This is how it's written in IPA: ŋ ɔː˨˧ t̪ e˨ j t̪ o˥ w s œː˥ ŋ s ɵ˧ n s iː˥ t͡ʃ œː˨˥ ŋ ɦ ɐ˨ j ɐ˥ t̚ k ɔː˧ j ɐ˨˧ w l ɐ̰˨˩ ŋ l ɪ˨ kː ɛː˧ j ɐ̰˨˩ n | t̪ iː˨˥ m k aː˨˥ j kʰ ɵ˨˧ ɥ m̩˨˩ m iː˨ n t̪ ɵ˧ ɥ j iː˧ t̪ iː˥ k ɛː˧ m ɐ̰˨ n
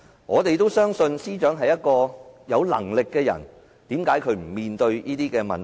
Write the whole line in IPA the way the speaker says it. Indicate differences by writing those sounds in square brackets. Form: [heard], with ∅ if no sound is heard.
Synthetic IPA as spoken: ŋ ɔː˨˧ t̪ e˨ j t̪ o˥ w s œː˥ ŋ s ɵ˧ n s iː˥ t͡ʃ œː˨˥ ŋ ɦ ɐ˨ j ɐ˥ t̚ k ɔː˧ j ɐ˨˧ w l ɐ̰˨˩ ŋ l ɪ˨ kː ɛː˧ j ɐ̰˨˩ n | t̪ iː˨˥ m k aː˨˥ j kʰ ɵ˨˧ ɥ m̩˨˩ m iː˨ n t̪ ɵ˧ ɥ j [iː˥] t̪ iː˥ k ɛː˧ m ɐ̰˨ n